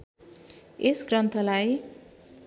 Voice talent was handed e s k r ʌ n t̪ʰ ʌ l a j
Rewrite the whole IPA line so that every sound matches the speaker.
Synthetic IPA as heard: e s ɡ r ʌ n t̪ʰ ʌ l a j